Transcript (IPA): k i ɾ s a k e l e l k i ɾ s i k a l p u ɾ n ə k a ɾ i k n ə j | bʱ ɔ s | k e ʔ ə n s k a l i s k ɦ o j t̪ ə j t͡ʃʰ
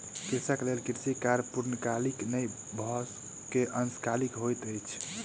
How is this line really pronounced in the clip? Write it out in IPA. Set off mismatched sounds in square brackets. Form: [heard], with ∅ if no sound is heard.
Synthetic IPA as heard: k i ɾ s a k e l e l k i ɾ s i k a [ɾ] p u ɾ n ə k a [l] i k n ə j | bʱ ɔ s | k e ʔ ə n s k a l i [∅] k ɦ o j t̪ ə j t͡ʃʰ